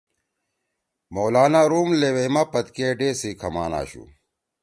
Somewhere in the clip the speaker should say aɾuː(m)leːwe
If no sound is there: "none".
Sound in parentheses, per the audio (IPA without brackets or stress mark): m